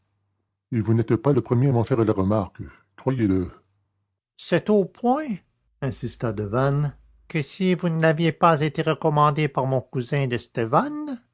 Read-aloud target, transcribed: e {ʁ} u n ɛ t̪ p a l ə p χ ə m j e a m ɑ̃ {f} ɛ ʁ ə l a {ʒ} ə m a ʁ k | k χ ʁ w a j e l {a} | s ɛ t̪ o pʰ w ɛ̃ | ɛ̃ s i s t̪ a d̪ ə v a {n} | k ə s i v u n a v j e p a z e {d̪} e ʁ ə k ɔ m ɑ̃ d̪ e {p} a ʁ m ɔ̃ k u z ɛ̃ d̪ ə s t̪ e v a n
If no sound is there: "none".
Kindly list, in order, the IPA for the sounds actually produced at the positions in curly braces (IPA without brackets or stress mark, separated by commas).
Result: v, f, ʁ, ə, n, t̪, p